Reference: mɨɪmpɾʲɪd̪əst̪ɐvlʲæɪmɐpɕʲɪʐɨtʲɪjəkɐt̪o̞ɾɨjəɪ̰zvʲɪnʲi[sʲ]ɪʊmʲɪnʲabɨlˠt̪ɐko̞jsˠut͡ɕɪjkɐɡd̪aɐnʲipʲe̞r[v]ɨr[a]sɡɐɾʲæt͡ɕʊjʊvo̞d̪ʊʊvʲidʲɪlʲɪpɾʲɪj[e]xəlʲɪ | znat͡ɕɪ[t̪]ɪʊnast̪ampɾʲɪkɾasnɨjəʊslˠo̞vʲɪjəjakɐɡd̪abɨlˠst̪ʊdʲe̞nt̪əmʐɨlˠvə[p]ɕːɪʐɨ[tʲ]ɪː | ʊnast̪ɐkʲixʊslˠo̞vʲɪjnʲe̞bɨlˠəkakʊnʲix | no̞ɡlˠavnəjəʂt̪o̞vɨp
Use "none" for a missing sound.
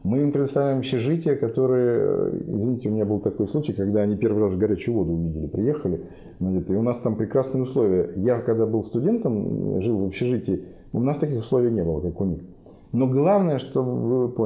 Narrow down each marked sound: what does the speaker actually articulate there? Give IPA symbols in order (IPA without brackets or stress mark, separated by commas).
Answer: tʲ, v, a, e, t̪, p, tʲ